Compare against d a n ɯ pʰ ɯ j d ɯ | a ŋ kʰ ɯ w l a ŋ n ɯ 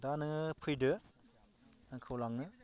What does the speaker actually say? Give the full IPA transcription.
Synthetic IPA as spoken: d a n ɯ pʰ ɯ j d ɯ | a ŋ kʰ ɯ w l a ŋ n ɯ